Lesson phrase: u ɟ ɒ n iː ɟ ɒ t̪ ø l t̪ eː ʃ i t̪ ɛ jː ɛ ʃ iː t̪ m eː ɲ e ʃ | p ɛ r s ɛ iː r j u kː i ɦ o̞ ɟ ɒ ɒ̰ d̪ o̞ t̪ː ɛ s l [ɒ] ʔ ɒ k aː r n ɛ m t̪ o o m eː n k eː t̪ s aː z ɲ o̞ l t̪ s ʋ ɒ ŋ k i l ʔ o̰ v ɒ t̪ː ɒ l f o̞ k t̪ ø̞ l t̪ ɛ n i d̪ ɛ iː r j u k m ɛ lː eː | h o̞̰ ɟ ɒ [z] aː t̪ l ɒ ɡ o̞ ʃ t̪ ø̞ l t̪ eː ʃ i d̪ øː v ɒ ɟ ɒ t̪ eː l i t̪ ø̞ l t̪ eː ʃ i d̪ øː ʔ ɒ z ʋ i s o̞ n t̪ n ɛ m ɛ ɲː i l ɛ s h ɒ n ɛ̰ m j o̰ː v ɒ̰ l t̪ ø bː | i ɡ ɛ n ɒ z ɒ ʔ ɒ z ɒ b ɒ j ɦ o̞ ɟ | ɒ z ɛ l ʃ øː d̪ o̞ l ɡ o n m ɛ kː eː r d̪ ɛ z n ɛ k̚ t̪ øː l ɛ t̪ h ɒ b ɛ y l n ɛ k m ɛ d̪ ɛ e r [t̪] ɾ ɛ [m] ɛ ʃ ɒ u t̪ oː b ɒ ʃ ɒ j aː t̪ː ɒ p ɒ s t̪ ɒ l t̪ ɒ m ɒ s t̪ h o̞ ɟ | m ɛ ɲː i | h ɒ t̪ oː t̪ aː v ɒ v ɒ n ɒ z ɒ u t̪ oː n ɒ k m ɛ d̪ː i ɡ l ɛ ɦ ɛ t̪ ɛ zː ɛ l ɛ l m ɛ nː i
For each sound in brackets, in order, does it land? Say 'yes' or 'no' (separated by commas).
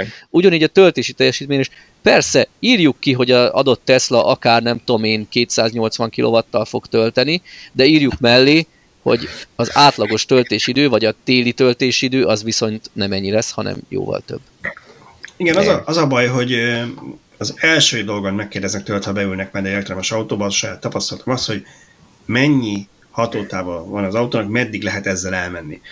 yes, yes, yes, yes